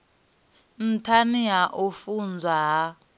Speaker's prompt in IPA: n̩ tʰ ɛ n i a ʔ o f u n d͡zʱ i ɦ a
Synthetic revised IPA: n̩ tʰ a n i a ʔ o f u n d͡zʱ a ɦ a